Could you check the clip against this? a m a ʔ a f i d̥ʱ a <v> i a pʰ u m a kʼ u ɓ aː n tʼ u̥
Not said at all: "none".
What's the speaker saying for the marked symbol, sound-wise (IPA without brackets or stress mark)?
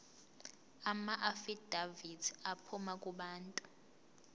v